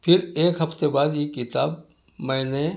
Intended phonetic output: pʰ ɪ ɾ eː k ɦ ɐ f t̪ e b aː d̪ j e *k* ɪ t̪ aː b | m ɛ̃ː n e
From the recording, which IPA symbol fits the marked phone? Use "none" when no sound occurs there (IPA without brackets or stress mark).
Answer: k